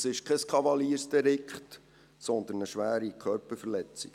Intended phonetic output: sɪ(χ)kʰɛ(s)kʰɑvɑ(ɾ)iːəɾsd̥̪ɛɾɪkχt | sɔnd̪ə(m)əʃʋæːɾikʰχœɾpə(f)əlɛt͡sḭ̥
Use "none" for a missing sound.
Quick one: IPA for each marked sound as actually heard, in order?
ʃ, s, l, n, f

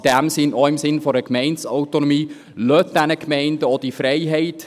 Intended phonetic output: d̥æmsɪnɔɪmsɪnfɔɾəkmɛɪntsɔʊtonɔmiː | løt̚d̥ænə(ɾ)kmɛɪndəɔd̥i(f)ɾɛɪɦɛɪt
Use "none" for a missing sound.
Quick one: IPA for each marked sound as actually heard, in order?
none, f

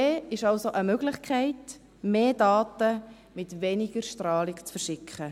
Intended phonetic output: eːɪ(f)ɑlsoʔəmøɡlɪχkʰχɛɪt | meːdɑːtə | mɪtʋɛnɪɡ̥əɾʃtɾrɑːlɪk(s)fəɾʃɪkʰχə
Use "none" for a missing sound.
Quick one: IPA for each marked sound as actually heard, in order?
ʃ, t͡s

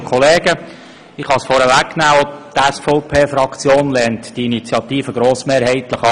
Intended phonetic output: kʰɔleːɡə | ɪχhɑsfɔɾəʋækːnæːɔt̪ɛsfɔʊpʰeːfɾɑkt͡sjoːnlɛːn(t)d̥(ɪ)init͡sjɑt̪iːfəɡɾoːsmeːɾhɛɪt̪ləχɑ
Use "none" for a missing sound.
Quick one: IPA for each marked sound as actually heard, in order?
t, i

